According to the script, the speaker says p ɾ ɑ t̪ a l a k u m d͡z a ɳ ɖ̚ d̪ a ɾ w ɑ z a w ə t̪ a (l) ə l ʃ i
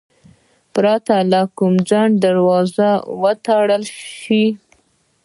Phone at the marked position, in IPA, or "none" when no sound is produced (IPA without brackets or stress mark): ɽ